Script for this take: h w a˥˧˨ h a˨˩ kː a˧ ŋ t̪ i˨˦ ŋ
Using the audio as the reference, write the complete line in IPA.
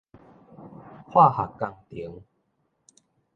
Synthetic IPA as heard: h w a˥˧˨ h a˨˩ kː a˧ ŋ t̪ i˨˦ ŋ